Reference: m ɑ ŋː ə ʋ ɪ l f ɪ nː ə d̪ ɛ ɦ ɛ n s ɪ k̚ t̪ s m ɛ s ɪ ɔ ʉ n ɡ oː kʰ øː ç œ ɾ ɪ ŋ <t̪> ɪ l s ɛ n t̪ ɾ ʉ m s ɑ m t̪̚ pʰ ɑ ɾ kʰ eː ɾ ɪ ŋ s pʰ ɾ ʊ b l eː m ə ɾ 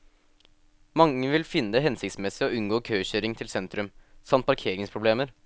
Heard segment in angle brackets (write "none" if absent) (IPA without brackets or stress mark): t̪ʰ